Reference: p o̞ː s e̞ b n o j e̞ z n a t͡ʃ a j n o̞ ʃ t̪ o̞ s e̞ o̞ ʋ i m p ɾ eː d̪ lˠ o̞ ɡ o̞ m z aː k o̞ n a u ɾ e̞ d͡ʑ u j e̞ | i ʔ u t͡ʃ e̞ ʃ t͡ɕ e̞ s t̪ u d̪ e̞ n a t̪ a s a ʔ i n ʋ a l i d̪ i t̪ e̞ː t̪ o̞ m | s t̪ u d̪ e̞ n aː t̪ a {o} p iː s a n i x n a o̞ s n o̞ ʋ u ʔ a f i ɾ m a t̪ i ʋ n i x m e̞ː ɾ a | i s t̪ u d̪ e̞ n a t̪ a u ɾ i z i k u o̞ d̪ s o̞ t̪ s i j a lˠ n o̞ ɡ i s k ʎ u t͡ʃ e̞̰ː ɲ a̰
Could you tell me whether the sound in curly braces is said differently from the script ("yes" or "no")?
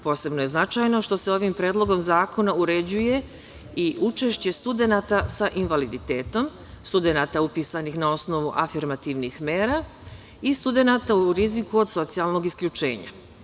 yes